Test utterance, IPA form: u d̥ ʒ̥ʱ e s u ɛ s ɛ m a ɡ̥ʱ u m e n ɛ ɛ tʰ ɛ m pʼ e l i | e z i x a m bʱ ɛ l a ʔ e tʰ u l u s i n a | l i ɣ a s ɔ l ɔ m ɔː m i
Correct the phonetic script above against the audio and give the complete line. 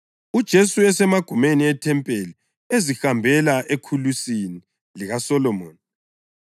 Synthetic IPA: u d̥ ʒ̥ʱ e s u ɛ s ɛ m a ɡ̥ʱ u m e n i ɛ tʰ ɛ m pʼ e l i | e z i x a m bʱ ɛ l a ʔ e kʰ u l u s i n i | l i ɣ a s ɔ l ɔ m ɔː n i